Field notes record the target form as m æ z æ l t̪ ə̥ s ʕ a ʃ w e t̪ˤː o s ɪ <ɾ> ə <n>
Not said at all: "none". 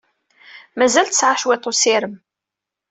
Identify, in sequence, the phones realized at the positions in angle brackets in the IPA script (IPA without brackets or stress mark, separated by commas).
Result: ɾ, m